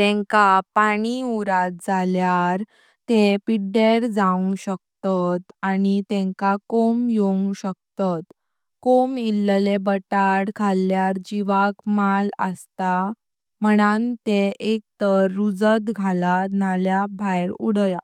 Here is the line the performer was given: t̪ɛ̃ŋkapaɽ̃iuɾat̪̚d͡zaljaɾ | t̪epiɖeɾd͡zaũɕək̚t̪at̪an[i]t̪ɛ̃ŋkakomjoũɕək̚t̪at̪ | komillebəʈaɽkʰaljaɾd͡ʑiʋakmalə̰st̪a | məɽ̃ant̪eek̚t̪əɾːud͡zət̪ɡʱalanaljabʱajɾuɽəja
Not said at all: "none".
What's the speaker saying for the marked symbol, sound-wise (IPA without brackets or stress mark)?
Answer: i